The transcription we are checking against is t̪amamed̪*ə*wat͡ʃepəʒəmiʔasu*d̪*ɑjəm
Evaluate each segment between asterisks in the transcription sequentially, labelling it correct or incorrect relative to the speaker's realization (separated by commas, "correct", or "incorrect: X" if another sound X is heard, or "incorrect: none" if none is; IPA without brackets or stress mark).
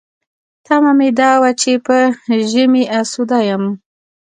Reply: incorrect: ɑ, correct